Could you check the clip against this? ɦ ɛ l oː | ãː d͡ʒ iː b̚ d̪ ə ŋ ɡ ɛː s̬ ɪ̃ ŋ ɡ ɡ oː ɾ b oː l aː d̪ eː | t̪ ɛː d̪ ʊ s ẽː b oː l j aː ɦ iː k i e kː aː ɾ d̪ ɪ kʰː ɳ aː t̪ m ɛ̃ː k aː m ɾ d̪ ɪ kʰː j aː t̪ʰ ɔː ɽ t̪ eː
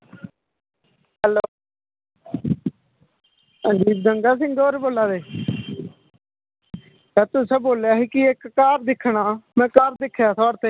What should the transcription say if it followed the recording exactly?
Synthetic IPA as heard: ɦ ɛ l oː | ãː d͡ʒ iː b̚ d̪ ə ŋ ɡ aː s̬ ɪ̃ ŋ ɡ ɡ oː ɾ b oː l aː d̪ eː | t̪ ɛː t̪ ʊ s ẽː b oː l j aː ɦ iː k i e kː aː ɾ d̪ ɪ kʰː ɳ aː m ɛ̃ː k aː ɾ d̪ ɪ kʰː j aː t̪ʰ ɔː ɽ t̪ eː